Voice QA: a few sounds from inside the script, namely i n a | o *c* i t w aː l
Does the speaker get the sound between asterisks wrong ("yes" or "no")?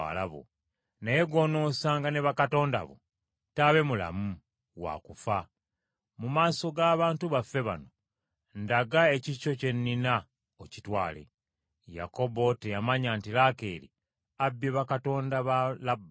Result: no